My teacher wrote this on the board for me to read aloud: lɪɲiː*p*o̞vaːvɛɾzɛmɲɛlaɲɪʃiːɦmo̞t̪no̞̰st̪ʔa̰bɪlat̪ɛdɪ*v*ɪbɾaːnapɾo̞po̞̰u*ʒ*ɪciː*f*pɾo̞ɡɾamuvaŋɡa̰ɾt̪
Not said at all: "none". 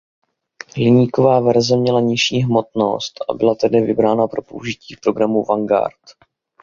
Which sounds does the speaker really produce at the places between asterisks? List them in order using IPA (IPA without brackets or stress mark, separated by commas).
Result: k, v, ʒ, f